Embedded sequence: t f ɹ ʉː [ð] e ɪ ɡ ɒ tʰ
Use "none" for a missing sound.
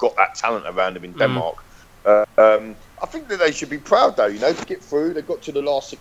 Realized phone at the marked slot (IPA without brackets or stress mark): ð